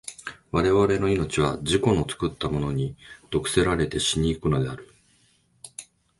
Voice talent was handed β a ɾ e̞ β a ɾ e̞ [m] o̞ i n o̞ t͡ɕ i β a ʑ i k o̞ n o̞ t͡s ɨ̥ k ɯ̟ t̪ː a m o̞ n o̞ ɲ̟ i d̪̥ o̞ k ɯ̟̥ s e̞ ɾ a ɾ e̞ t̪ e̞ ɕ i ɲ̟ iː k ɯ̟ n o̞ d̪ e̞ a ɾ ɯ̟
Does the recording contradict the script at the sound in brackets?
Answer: yes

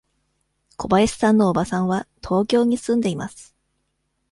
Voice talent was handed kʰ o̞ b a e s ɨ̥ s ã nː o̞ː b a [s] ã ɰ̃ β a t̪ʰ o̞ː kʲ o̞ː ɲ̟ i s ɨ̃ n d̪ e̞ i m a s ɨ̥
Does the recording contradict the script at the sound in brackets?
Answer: no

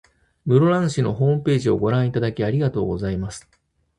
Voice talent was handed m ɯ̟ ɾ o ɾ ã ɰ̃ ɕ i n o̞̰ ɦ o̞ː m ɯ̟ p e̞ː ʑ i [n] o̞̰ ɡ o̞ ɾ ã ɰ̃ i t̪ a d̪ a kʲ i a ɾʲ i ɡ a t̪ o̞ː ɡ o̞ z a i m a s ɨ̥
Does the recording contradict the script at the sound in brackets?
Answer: yes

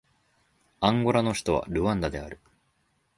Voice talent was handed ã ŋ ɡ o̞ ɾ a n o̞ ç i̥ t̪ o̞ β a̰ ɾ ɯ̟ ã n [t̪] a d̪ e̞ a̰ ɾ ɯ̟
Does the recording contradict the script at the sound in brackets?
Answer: yes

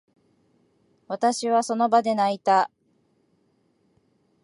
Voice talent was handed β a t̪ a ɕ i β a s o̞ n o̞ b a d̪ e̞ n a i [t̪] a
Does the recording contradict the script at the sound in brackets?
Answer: no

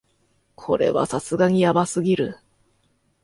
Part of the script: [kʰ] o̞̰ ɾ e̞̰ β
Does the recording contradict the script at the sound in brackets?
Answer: no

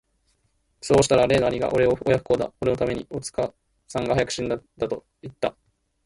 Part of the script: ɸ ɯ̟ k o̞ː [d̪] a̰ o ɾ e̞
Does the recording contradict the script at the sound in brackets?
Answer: no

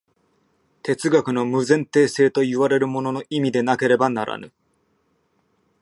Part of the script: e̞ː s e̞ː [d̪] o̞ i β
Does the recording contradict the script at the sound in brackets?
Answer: yes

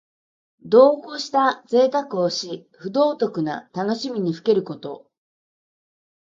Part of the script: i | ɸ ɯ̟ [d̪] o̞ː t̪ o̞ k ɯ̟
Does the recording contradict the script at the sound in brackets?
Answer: no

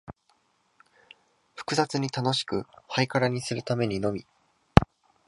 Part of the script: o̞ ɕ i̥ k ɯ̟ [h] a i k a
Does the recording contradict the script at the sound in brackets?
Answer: no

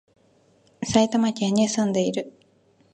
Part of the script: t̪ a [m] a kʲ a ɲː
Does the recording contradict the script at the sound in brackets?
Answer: no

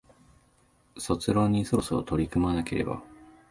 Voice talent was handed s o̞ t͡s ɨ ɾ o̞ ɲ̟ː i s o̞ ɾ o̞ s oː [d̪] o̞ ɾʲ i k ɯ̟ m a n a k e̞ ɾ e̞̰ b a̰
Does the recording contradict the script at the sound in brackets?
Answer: yes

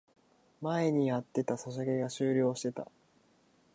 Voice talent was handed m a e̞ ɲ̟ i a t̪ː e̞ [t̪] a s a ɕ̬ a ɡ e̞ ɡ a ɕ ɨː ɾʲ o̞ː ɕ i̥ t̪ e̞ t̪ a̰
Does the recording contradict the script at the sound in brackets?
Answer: no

